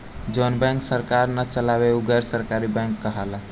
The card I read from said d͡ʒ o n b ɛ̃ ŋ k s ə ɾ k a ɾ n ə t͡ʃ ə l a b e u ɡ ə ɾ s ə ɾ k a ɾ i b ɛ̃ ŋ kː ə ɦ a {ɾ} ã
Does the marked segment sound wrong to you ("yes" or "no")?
yes